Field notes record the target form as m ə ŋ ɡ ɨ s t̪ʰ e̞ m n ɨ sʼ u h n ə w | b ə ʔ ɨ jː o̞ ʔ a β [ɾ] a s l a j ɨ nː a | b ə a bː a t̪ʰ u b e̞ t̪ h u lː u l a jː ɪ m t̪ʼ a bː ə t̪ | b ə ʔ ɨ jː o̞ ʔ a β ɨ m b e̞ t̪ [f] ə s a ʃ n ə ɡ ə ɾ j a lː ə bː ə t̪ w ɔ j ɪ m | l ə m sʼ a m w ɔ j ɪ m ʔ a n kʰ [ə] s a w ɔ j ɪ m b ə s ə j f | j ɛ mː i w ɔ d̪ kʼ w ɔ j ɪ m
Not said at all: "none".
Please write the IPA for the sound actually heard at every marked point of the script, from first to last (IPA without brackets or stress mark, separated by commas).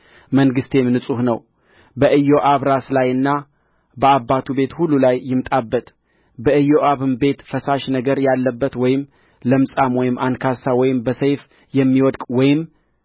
ɾ, f, a